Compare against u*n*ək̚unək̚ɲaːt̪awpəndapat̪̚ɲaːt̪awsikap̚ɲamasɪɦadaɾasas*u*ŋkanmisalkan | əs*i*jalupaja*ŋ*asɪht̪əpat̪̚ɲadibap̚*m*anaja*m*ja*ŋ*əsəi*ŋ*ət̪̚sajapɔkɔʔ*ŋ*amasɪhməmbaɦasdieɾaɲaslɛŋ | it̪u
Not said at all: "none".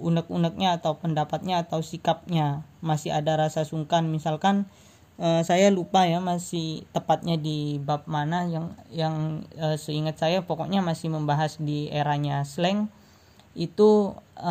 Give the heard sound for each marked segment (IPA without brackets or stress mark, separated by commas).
n, u, a, m, m, ŋ, ŋ, ŋ, ɲ